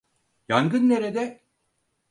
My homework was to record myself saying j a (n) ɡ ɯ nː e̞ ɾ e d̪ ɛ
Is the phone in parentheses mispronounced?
yes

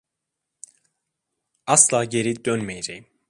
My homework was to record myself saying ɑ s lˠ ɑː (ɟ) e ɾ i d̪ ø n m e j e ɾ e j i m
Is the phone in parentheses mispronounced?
no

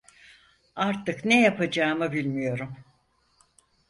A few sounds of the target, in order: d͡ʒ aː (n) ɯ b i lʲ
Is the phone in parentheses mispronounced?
yes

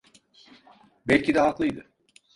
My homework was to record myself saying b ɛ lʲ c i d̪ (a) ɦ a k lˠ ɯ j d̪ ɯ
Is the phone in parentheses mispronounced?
yes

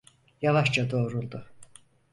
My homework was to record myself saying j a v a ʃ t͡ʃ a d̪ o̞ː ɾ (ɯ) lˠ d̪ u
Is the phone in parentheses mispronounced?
yes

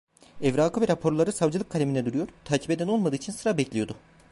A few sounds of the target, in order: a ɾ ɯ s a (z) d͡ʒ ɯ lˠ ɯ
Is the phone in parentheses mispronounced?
yes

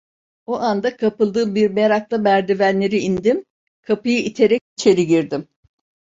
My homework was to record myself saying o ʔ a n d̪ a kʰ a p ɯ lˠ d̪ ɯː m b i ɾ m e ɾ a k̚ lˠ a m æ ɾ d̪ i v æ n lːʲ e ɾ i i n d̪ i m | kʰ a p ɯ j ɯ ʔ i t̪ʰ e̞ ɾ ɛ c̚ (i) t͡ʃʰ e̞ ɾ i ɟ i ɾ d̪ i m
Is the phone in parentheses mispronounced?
no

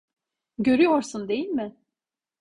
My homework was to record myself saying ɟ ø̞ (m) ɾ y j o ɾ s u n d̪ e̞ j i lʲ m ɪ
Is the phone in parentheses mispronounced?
yes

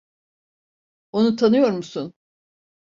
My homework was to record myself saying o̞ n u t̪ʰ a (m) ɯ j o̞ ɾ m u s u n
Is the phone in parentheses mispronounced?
yes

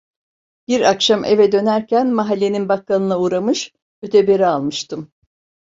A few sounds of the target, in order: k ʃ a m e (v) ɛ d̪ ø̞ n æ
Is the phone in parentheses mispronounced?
no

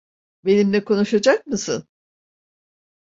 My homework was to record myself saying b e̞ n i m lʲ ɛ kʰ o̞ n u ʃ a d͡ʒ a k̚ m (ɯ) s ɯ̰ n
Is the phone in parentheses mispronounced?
no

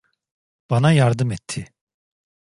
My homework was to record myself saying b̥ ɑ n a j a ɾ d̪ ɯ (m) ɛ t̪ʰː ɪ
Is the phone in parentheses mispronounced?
no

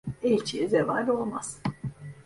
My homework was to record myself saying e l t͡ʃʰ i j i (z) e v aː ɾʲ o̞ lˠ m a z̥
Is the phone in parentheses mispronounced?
no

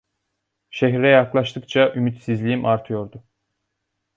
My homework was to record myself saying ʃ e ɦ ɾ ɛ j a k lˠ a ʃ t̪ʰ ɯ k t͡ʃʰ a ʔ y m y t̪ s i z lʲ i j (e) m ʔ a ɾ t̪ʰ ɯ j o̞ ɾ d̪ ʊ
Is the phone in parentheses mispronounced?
yes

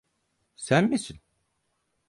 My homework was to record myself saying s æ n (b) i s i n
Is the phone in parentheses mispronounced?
yes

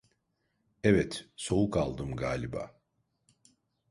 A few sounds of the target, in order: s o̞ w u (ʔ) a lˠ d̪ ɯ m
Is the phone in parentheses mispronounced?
yes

